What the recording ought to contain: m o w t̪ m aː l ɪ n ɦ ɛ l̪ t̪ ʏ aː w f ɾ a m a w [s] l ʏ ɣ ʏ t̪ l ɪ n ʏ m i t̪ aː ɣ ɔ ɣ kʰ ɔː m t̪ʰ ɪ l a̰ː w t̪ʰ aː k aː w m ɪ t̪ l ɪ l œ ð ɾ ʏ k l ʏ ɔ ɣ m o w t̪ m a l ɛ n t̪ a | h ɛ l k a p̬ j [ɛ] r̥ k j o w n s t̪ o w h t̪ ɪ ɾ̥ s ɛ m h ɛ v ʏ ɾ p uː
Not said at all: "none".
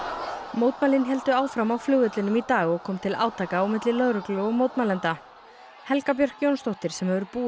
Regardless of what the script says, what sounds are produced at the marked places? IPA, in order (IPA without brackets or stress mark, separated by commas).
f, œ